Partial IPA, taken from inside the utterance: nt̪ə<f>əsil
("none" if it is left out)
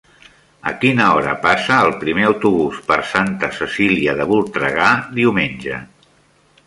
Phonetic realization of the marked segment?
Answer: s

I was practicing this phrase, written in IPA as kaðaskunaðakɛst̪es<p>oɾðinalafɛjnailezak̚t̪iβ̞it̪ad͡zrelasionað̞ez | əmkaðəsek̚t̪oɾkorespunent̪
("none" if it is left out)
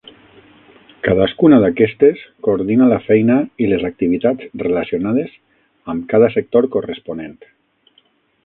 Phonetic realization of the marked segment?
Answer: k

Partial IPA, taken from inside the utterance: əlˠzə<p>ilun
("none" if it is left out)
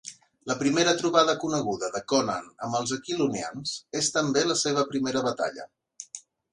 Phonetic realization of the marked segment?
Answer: k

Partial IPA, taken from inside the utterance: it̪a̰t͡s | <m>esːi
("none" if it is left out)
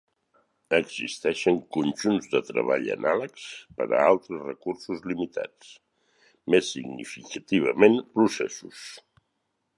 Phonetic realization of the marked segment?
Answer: m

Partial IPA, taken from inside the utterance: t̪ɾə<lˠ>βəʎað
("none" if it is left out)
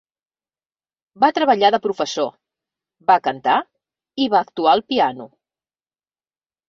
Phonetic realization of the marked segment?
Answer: none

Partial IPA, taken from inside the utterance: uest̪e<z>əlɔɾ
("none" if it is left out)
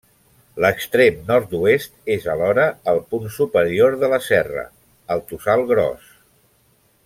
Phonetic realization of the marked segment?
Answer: z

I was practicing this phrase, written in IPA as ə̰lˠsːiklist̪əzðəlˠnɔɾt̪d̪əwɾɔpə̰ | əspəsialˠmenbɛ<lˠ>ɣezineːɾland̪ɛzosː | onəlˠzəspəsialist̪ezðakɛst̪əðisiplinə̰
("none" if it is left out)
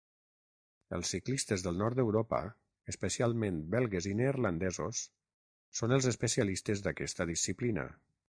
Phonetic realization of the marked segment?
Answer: lˠ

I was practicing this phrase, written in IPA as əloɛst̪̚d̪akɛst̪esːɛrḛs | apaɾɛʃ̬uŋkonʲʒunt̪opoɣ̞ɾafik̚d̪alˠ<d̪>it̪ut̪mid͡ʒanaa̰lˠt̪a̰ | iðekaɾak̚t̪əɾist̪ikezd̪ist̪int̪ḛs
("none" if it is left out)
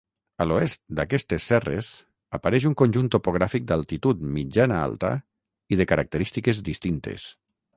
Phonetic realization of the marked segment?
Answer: t̪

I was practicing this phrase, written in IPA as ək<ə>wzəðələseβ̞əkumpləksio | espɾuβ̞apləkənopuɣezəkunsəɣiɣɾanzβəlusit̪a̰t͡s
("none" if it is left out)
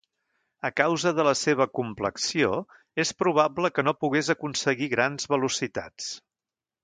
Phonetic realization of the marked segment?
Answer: a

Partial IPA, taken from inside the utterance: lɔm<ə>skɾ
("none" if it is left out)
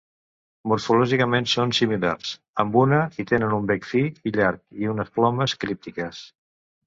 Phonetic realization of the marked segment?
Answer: ə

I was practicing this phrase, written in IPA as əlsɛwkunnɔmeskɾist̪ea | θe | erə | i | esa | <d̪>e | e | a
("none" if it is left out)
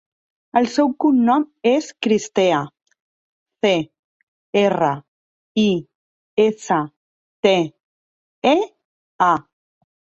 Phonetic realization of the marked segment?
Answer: t̪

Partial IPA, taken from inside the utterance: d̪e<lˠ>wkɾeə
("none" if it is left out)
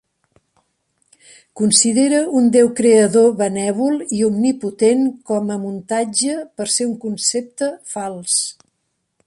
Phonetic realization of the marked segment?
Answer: none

